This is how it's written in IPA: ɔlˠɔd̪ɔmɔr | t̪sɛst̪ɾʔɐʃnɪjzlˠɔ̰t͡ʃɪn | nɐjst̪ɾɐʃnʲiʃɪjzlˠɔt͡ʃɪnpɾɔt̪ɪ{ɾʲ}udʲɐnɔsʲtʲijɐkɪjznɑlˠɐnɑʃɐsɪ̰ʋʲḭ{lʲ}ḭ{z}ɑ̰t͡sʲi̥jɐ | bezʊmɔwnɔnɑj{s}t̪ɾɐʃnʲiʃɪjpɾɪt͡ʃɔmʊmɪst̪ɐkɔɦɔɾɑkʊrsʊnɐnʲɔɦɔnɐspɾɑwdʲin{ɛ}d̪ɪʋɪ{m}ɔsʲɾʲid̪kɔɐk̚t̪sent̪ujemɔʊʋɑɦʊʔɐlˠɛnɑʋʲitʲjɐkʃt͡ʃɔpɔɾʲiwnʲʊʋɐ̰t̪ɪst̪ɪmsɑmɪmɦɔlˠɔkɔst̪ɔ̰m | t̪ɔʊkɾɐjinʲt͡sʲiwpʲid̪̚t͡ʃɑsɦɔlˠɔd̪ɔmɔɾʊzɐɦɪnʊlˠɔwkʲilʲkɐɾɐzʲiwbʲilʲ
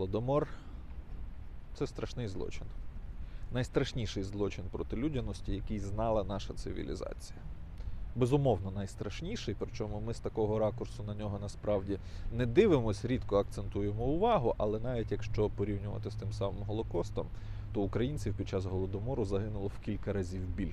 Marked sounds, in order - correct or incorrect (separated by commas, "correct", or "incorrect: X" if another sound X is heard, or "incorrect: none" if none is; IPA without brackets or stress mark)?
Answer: incorrect: lʲ, correct, correct, correct, correct, correct